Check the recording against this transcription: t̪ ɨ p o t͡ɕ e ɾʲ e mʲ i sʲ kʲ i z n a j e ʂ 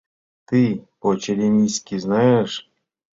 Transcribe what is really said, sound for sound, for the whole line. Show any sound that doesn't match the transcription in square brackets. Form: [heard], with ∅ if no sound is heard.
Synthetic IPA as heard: t̪ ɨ p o t͡ɕ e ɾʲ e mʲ i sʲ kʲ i z n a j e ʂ